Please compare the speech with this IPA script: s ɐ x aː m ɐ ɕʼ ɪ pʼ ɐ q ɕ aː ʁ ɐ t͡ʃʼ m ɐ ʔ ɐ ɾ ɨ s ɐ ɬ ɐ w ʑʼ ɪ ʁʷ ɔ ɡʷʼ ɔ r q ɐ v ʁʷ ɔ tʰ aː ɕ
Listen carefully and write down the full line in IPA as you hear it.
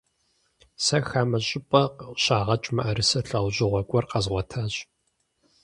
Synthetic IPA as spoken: s ɐ x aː m ɐ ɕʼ ɪ pʼ ɐ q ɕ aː ʁ ɐ t͡ʃʼ m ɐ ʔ ɐ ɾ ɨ s ɐ ɬ ɐ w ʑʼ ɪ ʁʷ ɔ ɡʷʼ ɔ r q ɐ z ʁʷ ɔ tʰ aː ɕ